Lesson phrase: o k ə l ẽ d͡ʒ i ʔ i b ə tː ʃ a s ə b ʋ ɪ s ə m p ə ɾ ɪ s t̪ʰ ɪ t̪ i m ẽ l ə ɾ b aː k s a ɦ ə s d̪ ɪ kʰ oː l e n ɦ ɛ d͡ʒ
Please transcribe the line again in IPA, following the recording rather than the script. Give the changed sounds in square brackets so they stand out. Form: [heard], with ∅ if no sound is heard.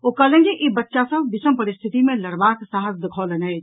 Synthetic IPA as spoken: o k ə l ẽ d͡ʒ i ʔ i b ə tː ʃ a s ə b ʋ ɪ s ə m p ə ɾ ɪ s t̪ʰ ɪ t̪ i m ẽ l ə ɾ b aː k s a ɦ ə s d̪ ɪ kʰ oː l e n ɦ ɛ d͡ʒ